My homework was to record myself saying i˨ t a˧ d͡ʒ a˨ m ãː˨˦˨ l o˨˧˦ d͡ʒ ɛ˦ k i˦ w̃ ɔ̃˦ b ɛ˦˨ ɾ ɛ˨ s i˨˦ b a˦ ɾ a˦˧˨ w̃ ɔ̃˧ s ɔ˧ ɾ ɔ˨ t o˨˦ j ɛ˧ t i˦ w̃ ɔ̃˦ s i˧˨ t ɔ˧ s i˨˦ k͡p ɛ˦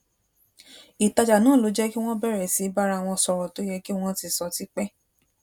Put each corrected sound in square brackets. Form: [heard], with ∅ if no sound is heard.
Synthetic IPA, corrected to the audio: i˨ t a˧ d͡ʒ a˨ [n] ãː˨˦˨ l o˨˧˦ d͡ʒ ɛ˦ k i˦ w̃ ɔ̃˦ b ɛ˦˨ ɾ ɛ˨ s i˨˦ b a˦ ɾ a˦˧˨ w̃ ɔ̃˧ s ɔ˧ ɾ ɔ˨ t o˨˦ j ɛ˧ [k] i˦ w̃ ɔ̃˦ [t] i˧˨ [s] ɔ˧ [t] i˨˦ k͡p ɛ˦